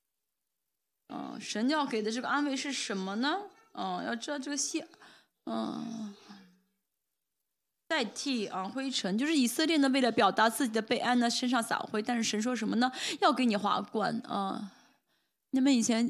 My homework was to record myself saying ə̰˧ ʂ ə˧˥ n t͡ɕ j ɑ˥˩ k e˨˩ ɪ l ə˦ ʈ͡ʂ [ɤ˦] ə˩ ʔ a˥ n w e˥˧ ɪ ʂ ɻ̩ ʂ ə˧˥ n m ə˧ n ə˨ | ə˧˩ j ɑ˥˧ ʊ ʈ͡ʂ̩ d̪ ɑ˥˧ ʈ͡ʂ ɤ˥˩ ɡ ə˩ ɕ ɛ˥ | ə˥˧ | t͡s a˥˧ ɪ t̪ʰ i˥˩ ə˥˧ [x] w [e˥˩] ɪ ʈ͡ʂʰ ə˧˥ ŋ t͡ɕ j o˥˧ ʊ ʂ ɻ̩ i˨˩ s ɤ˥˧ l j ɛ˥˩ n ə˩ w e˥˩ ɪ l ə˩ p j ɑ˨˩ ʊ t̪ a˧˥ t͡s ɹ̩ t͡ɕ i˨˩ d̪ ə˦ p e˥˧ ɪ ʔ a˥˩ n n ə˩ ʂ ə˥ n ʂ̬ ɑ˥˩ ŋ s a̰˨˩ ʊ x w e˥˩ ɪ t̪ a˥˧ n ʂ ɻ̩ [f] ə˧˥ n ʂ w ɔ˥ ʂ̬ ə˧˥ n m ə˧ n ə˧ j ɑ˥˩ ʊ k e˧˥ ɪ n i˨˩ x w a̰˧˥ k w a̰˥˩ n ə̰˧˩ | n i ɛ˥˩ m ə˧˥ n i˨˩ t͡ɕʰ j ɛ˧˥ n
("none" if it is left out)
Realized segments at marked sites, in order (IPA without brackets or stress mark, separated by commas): ɤ˥˩, x, e˥, ʂ